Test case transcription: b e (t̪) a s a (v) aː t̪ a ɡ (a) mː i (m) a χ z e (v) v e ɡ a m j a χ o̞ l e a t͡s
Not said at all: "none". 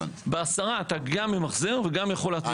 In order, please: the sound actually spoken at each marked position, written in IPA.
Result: none, ʁ, a, m, ʁ

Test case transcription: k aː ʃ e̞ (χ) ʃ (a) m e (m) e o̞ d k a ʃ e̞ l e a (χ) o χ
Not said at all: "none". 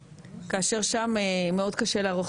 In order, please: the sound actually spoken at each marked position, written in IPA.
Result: ʁ, a, m, ʁ

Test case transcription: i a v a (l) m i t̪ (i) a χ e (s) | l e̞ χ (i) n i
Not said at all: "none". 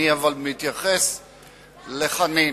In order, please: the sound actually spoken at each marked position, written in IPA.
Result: l, j, s, a

